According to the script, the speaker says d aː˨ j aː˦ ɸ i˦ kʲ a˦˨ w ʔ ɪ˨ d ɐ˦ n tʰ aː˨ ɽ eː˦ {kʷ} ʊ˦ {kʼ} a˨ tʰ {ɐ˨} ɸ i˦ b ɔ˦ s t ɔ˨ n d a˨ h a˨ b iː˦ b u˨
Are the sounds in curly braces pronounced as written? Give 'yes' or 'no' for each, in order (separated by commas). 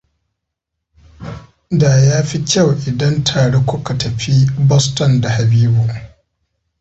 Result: yes, no, yes